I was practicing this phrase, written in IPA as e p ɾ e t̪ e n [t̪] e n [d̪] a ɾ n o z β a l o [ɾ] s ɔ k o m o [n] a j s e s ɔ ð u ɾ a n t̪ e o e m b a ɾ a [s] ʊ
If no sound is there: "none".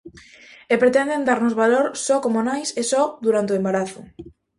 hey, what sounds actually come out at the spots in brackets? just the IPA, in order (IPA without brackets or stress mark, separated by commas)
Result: d̪, d̪, ɾ, n, θ